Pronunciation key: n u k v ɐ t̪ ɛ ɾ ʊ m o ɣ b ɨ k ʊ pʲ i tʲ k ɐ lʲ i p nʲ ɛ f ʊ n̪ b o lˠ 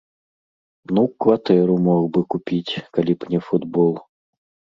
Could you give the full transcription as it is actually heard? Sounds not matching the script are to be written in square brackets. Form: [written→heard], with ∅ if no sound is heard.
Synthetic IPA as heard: n u k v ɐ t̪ ɛ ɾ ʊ m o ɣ b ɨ k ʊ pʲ i tʲ k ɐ lʲ i p nʲ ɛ f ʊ [n̪→d̪] b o lˠ